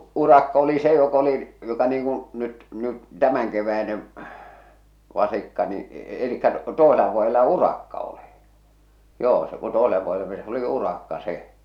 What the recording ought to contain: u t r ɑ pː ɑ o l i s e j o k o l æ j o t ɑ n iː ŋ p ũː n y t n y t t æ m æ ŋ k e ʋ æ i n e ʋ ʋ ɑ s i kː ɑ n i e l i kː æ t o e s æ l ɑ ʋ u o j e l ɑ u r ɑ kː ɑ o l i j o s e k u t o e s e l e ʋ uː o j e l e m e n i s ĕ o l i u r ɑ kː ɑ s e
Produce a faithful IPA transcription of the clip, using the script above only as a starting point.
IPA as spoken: u r ɑ kː ɑ o l i s e j o k o l i j o t ɑ n iː ŋ k ũː n y t n y t t æ m æ ŋ k e ʋ æ i n e ʋ ʋ ɑ s i kː ɑ n i e l i kː æ t o e s e l ɑ ʋ u o j e l ɑ u r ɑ kː ɑ o l i j oː s e k u t o e s e l e ʋ u o j e l e m e n i s ĕ o l i u r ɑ kː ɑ s e

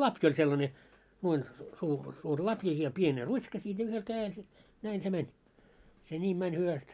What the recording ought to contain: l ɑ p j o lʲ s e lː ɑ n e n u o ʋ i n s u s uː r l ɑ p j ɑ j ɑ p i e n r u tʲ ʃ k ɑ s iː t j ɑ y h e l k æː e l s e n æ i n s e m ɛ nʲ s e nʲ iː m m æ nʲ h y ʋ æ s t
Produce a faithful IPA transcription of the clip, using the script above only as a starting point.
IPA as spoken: l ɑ p j o lʲ s e lː ɑ n e n u o i n s uː s uː r l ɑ p j ɑ j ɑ p i e n r u tʲ ʃ k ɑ s iː t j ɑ y h e l k æː e l s e n æ i n s e m ɛ nʲ s e nʲ iː m m æ nʲ h y ʋ æ s t

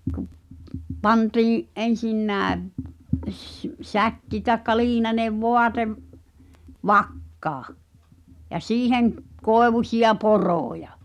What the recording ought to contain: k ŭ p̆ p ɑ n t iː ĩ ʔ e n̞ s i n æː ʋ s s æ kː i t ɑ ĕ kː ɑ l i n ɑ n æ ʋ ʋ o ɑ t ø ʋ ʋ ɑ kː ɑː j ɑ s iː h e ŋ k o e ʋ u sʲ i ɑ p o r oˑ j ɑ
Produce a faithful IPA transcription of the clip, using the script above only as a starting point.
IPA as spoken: k ŭ p̆ p ɑ n t iː ĩ ʔ e n̞ s i nː æː ʋ s s æ kː i t ɑ ĕ kː ɑ l iː n ɑ n e ʋ ʋ o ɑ t e ʋ ʋ ɑ kː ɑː j ɑ s iː h e ŋ k o e ʋ u sʲ i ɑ p o r oˑ j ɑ

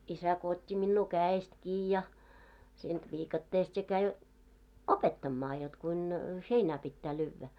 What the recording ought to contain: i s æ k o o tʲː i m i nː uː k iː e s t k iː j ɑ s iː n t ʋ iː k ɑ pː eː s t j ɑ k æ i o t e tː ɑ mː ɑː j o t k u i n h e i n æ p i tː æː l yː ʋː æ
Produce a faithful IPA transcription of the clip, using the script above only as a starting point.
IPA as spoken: i s æ k o o tʲː i m i nː uː k æː e s t k iː j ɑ s iː n t ʋ iː k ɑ tː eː s t j ɑ k æ i o p e tː ɑ mː ɑː j o t k u i n h e i n æ p i tː æː l yː ʋː æ

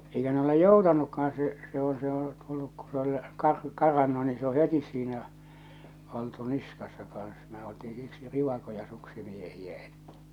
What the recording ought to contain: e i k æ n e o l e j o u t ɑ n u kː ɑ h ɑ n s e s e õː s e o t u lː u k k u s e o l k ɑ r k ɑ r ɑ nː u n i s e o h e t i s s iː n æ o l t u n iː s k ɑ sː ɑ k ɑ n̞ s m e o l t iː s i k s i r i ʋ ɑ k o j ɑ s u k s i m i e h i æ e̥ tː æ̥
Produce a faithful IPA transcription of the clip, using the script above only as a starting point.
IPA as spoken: e i k æ n e o l e j o u t ɑ n u kː ɑ h ɑ n s e s e õː s e o t u lː u k k u s e o l k ɑ r k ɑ r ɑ nː u n i s e o h e t i s s iː n æ o l t u n i s k ɑ sː ɑ k ɑ n̞ s m e o l t iː s i k s i r i ʋ ɑ k o j ɑ s u k s i m i e h i æ e̥ tː æ̥

